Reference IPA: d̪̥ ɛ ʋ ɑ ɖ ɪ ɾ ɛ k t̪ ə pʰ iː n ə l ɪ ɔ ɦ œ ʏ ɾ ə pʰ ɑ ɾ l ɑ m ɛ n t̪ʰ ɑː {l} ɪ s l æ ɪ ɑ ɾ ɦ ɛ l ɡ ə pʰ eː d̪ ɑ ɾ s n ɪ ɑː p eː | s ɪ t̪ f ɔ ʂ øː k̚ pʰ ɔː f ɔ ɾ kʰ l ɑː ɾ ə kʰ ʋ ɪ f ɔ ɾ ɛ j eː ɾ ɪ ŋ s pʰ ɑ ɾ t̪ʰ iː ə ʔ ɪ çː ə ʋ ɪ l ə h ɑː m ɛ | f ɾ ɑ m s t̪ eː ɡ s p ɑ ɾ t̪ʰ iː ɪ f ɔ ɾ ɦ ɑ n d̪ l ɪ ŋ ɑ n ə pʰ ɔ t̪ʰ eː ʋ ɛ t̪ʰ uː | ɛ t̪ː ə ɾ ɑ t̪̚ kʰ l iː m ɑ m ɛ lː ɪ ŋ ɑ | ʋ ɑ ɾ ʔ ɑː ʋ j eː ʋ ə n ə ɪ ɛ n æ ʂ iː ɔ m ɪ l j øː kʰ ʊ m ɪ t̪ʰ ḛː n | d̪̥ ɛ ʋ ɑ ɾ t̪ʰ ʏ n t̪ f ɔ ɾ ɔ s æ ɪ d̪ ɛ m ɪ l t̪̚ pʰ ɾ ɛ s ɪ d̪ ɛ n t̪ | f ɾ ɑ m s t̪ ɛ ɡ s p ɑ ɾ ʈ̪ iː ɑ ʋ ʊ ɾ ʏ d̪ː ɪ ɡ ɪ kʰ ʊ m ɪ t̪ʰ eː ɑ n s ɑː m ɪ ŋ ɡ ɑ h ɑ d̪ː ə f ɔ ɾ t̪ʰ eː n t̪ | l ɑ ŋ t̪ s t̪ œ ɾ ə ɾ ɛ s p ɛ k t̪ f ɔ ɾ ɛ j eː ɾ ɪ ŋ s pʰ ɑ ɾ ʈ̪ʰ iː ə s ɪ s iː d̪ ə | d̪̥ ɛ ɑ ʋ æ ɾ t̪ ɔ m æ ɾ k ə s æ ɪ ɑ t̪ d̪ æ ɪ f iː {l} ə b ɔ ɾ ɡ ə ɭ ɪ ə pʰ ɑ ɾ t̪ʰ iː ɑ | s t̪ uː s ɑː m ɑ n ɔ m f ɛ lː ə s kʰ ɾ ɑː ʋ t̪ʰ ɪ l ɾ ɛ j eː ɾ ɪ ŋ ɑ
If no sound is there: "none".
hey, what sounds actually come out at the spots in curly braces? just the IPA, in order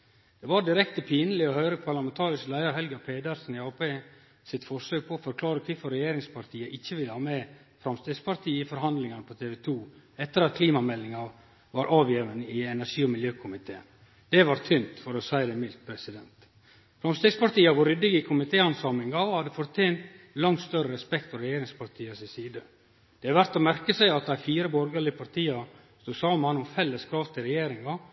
ɾ, ɾ

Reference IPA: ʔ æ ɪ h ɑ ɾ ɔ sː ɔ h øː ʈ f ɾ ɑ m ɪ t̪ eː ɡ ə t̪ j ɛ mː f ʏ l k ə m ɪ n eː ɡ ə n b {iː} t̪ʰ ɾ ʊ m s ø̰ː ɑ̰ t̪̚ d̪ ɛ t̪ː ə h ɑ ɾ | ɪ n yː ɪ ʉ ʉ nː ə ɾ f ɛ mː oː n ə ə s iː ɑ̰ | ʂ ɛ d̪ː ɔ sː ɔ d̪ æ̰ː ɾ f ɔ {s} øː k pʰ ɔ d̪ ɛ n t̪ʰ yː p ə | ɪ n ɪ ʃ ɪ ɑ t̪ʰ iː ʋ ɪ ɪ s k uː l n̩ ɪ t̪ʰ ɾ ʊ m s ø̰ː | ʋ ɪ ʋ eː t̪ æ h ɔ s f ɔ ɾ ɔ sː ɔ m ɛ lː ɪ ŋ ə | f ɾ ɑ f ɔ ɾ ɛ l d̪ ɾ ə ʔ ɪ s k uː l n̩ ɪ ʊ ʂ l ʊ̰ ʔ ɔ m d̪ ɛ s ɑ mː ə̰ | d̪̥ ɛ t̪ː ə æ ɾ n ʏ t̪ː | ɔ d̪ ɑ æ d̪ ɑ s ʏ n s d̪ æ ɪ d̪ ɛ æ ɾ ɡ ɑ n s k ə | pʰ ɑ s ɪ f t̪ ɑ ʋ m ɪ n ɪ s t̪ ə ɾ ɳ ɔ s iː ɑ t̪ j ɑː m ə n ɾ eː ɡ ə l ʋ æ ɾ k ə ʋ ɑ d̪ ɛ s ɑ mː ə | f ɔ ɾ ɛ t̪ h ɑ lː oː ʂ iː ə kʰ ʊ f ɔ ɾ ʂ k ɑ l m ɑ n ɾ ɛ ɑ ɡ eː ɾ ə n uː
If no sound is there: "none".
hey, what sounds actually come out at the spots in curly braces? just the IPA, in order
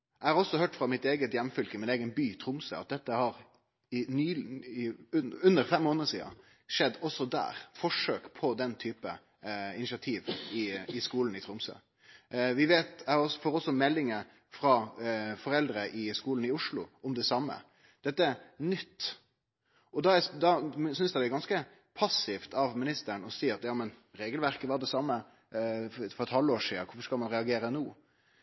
yː, ʂ

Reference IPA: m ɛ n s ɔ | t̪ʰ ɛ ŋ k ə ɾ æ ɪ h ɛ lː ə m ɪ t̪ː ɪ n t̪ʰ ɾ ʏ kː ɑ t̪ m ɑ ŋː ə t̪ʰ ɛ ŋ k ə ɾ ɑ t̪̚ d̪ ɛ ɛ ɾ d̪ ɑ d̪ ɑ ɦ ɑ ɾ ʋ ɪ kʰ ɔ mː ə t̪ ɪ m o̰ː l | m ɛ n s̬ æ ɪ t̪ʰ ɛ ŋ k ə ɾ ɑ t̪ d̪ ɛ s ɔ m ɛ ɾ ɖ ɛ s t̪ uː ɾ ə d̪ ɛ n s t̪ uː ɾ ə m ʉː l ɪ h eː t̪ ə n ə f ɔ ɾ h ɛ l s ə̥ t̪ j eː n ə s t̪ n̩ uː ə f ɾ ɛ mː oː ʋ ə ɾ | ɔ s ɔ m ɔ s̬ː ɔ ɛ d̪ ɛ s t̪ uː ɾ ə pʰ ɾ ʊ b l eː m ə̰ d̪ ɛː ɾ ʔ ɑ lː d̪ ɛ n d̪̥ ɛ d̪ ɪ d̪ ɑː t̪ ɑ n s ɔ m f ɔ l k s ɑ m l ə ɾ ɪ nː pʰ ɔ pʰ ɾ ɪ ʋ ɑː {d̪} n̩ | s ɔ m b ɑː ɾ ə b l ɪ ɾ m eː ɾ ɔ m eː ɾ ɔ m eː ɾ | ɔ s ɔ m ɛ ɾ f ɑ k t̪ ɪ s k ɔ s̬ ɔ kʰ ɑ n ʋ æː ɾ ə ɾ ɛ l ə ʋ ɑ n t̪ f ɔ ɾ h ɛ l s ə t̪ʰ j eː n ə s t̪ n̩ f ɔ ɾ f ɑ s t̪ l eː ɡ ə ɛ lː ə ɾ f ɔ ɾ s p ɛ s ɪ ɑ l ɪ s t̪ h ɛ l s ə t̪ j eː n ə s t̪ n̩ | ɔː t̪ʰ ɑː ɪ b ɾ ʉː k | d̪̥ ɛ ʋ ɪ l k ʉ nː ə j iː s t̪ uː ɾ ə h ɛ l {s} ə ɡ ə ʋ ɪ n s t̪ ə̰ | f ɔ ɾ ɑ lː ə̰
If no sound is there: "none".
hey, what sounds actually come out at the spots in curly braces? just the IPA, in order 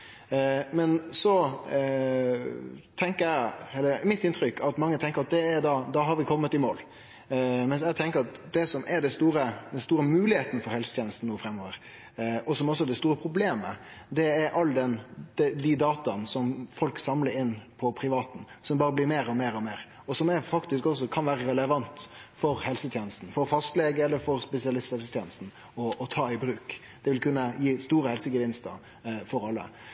t̪, s

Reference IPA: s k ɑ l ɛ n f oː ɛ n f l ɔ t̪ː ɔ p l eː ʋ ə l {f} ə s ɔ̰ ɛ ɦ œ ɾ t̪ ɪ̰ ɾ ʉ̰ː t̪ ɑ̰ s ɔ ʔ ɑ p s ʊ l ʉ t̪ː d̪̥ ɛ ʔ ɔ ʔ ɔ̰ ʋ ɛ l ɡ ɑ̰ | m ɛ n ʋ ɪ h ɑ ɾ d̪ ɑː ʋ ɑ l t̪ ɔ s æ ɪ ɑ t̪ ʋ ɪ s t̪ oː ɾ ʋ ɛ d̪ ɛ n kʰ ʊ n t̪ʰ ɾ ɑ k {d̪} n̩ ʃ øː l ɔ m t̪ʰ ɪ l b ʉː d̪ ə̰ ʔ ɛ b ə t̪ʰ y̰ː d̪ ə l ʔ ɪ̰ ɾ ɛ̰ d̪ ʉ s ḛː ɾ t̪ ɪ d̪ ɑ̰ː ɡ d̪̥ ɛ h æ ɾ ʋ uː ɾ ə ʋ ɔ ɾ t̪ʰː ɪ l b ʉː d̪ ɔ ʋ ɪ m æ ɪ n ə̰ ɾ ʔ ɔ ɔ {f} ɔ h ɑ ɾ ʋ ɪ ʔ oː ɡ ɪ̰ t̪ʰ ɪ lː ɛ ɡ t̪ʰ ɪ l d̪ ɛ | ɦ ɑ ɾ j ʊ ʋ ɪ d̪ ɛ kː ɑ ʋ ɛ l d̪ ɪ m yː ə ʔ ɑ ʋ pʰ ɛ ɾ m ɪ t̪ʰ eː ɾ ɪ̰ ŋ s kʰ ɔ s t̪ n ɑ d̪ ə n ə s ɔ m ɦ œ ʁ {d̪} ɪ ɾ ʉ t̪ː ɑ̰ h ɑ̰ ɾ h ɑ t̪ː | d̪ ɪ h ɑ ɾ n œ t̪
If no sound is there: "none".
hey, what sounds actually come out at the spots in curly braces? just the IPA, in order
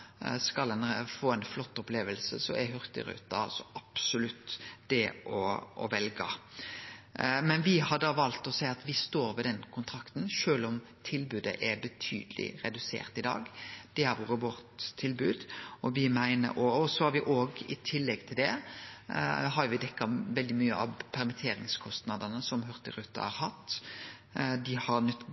s, t̪, s, t̪

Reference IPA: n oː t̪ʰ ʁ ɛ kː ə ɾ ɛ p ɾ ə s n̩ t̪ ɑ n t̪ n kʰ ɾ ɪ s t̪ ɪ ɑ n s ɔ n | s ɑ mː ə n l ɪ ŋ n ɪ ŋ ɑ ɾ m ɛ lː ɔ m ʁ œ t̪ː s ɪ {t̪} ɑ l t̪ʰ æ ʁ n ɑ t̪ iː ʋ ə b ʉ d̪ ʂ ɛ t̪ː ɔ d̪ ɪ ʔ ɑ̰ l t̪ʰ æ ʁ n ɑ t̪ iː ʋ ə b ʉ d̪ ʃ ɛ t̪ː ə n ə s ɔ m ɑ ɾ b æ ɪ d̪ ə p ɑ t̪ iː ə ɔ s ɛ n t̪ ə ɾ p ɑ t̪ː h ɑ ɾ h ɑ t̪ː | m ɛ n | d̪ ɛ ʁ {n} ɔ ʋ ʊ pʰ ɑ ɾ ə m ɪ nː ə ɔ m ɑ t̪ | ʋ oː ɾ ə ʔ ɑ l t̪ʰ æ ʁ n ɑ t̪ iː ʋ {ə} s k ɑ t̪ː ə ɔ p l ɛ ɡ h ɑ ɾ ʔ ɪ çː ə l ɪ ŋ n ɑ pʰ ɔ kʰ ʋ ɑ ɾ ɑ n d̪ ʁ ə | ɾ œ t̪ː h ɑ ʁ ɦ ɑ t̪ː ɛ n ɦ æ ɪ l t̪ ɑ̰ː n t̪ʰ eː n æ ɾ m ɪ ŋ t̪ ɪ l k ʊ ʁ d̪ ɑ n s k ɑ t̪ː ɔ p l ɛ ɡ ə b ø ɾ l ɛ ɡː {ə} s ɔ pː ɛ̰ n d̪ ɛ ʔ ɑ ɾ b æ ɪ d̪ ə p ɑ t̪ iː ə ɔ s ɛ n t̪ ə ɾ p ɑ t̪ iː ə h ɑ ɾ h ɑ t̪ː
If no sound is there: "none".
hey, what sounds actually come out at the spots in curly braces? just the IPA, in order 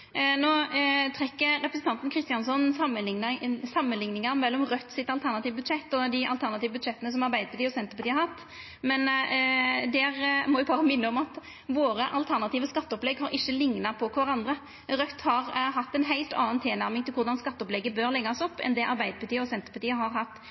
t̪, m, ə, ɑ

